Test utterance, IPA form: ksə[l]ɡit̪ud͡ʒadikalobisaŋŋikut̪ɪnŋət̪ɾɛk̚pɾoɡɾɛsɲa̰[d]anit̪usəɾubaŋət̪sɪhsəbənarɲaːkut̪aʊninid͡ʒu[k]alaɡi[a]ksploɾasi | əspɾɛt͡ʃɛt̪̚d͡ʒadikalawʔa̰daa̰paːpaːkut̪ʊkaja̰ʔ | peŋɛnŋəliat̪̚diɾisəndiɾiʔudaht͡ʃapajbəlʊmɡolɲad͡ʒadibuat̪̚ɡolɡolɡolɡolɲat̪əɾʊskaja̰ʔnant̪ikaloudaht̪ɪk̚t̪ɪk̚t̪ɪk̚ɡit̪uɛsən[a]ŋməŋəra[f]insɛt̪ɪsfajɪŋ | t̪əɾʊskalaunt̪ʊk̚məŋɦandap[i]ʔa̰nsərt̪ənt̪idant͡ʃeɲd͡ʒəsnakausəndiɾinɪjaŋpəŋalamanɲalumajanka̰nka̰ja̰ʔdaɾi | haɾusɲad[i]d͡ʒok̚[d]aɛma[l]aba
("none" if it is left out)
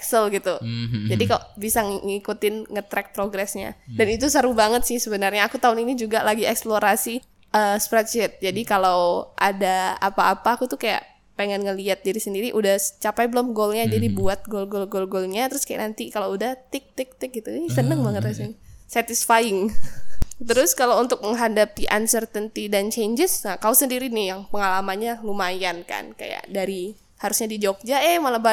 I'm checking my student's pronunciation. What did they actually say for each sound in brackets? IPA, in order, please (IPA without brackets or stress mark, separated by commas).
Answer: l, d, ɡ, ɛ, ə, s, i, i, d͡ʒ, l